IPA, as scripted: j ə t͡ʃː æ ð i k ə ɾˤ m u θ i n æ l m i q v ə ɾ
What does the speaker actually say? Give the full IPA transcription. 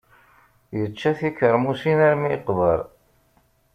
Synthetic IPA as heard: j ə t͡ʃː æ θ i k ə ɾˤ m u s i n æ ɾ m i q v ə ɾ